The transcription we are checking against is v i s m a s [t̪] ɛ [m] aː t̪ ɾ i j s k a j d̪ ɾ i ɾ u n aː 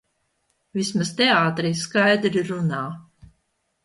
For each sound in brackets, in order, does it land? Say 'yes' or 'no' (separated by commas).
yes, no